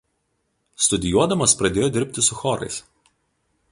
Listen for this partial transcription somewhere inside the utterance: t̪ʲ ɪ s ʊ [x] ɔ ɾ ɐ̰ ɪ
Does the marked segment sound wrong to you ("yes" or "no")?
no